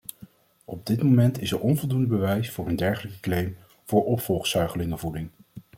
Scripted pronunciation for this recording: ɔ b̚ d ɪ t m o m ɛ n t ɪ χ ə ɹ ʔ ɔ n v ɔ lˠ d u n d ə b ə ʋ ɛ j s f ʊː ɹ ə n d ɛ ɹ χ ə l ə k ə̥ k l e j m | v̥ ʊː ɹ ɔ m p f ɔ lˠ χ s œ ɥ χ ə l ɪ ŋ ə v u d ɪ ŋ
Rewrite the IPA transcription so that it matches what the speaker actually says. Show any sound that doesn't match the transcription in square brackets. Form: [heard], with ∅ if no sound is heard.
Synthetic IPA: ɔ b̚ d ɪ t m o m ɛ n t ɪ [s] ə ɹ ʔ ɔ n v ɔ lˠ d u n d ə b ə ʋ ɛ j s f ʊː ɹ ə n d ɛ ɹ χ ə l ə k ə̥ k l e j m | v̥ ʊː ɹ ɔ [∅] p f ɔ lˠ χ s œ ɥ χ ə l ɪ ŋ ə v u d ɪ ŋ